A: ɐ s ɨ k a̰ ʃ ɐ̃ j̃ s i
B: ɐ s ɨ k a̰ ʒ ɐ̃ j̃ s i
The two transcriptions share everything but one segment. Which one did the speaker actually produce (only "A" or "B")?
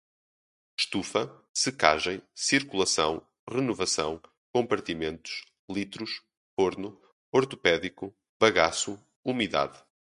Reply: B